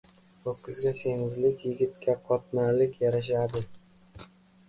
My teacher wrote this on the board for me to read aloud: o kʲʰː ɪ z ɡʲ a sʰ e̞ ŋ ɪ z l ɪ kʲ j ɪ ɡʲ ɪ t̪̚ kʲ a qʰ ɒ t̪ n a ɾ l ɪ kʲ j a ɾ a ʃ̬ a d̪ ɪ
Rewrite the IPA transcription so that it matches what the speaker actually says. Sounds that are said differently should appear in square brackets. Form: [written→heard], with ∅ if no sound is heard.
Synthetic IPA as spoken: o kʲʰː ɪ z ɡʲ a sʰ e̞ ŋ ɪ z l ɪ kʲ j ɪ ɡʲ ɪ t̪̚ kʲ a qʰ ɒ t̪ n a ɾ l ɪ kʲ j a ɾ a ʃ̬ a d̪ ɪ

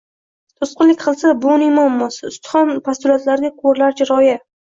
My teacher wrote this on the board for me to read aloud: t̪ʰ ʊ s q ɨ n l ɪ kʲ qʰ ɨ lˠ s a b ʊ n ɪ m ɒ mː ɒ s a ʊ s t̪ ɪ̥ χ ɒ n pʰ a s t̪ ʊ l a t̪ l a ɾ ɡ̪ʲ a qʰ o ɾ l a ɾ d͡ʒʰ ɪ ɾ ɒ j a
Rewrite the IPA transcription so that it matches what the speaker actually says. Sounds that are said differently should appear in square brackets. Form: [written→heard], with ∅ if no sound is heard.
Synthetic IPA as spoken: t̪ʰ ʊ s q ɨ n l ɪ kʲ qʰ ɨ lˠ s a b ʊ n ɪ m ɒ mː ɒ s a ʊ s t̪ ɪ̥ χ ɒ n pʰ a s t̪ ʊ l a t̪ l a ɾ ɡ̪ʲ a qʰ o ɾ l a ɾ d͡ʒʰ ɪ ɾ ɒ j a

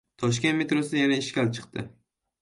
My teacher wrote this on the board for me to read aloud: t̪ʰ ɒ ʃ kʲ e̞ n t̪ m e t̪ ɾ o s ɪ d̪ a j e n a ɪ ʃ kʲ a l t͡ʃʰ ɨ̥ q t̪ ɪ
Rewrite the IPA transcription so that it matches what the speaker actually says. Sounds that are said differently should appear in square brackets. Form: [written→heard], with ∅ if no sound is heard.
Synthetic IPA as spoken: t̪ʰ ɒ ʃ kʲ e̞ n t̪ m e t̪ ɾ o s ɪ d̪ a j [e→a] n a ɪ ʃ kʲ a l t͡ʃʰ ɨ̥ q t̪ ɪ

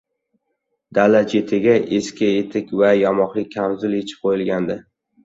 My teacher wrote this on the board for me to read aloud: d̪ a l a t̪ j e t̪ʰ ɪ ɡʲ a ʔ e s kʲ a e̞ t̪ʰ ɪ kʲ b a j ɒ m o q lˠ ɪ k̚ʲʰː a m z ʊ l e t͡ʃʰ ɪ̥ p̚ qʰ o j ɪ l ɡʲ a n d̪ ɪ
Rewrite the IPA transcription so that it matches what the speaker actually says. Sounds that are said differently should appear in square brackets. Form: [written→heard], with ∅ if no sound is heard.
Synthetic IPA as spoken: d̪ a l a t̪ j e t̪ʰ ɪ ɡʲ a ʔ e s kʲ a e̞ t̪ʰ ɪ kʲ [b→v] a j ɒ m [o→ɒ] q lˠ ɪ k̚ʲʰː a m z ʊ l e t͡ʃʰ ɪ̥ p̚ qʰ o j ɪ l ɡʲ a n d̪ ɪ

